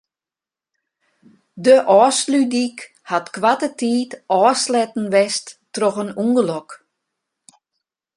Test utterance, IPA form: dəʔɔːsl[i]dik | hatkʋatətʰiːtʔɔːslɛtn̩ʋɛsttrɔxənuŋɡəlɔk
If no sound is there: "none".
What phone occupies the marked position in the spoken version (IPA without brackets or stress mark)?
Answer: y